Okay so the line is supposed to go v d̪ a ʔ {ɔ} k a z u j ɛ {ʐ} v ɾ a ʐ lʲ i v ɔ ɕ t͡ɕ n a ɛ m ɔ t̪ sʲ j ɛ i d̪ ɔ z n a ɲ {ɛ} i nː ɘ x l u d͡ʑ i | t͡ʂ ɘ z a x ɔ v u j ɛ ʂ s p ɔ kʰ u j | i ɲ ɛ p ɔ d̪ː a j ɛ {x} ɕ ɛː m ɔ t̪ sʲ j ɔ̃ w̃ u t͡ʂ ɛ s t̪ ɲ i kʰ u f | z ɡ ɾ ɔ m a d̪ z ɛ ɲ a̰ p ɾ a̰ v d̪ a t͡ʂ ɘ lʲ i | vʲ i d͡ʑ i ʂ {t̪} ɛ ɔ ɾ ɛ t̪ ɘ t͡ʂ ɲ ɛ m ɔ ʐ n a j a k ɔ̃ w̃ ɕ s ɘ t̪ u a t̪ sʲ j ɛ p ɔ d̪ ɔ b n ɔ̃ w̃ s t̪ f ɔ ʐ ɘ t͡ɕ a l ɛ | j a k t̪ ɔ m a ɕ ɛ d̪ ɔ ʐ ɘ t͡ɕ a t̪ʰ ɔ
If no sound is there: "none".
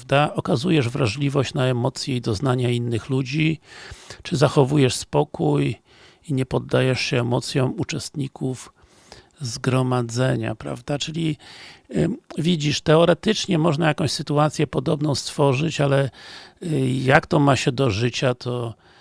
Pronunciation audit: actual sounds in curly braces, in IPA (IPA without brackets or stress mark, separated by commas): ɔ, ʐ, a, ʂ, t̪